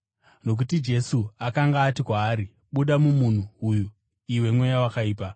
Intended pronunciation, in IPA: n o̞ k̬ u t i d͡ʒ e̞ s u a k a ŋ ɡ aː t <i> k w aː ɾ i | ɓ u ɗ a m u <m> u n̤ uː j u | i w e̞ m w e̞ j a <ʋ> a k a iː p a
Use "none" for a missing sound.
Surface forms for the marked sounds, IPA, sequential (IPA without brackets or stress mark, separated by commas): i, m, w